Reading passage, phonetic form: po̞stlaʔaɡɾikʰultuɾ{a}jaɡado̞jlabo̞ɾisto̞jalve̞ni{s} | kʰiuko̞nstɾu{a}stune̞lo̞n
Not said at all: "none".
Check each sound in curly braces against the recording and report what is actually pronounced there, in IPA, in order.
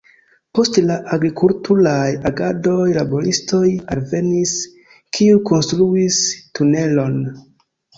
a, s, i

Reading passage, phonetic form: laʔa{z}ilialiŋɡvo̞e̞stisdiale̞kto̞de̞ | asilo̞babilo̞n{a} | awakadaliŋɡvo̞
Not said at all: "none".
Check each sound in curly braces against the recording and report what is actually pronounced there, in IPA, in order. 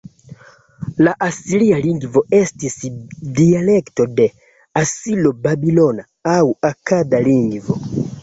s, a

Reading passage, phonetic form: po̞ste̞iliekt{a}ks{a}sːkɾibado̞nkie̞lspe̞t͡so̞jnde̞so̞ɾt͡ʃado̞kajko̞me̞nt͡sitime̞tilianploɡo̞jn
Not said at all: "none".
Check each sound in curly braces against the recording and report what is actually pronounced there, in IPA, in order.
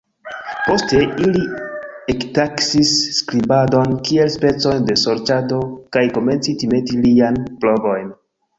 a, i

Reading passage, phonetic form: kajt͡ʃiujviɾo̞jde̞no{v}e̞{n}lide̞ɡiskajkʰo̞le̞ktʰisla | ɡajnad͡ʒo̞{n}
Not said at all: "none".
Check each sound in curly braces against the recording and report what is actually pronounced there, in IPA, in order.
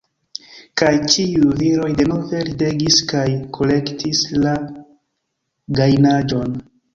v, none, n

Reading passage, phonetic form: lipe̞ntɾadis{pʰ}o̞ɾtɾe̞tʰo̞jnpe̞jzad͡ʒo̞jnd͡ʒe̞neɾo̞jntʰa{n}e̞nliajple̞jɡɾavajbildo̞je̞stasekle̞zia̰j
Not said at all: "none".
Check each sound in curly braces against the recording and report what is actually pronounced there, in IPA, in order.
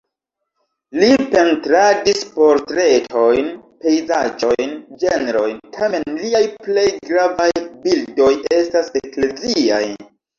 p, m

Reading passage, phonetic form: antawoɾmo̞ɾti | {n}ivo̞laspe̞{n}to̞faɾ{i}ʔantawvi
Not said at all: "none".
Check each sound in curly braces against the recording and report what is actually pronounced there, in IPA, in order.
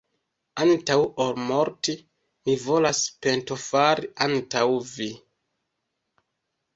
m, n, i

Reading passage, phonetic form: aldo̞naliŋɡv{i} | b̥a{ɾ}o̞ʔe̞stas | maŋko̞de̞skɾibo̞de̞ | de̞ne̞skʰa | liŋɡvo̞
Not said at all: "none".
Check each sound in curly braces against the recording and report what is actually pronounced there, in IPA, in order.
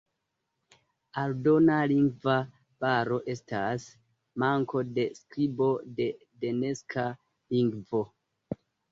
a, ɾ

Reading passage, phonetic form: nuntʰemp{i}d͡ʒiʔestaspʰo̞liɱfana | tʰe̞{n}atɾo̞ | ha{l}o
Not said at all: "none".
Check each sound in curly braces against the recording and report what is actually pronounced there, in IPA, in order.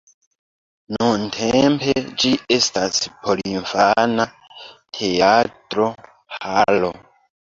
e, none, l

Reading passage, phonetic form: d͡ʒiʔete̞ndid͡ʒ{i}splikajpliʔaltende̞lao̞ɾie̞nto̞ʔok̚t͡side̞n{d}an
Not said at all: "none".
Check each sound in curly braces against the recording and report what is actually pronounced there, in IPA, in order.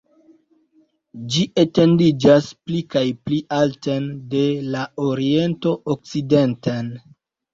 a, t

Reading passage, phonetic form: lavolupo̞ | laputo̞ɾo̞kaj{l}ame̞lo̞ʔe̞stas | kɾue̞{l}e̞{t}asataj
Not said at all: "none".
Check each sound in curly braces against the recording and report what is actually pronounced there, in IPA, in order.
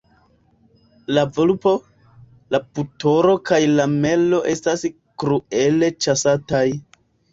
l, l, t͡ʃ

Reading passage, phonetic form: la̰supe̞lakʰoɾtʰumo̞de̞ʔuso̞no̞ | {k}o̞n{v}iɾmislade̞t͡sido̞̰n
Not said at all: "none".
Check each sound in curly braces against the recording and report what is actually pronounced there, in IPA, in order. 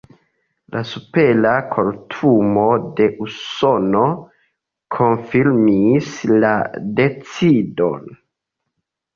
kʰ, f

